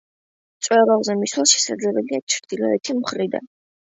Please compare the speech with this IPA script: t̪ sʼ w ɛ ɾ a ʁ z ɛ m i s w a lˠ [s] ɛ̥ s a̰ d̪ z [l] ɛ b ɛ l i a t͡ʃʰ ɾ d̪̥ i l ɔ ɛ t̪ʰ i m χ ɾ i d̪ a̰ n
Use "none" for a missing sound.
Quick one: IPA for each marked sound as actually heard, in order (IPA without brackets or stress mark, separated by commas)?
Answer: ʃ, l